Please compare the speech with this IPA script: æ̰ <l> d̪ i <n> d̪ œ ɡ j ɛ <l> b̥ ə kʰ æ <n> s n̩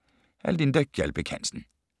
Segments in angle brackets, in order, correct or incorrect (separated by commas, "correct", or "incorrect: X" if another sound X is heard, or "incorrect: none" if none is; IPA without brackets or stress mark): correct, correct, correct, correct